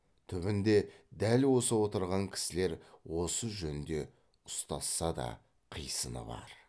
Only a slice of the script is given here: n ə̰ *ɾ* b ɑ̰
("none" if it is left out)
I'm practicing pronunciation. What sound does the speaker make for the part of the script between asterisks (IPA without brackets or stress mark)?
none